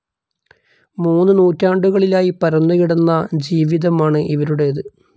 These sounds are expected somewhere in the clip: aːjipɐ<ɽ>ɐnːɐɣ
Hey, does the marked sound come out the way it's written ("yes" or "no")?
no